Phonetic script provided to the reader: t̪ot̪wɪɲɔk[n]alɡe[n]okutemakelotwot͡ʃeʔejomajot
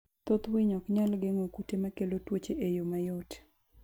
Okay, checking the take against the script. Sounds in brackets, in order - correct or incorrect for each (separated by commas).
incorrect, incorrect